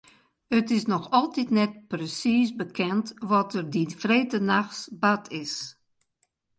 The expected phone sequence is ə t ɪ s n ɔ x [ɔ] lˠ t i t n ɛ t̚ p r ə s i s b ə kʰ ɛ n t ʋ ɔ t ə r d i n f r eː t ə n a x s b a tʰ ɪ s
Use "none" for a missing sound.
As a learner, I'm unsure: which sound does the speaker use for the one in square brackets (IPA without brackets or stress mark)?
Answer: ɔ